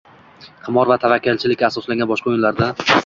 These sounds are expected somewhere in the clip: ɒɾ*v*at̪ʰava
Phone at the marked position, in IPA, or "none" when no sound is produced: v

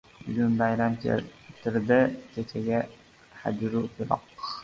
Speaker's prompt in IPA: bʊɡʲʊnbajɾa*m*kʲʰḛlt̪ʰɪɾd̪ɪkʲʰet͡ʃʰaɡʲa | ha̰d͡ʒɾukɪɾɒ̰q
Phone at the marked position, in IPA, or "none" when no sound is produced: m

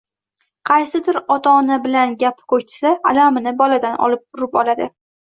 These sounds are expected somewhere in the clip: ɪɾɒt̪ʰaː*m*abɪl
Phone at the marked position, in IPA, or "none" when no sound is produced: n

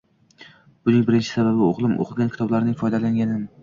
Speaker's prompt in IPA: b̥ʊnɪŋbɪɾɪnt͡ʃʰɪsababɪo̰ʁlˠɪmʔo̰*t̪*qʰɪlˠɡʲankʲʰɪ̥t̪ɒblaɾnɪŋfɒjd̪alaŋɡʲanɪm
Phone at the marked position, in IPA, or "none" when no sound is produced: none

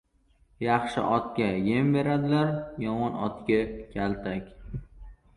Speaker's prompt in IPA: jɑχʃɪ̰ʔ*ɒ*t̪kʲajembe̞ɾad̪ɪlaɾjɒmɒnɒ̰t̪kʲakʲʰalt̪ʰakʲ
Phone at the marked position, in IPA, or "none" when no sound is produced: ɒ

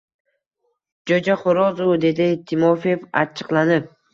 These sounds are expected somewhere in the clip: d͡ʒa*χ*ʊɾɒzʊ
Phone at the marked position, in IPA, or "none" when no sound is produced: χ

